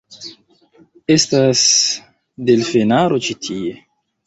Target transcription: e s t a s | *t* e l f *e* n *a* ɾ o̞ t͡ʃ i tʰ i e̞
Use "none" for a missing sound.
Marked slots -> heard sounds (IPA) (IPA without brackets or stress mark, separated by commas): d, e, a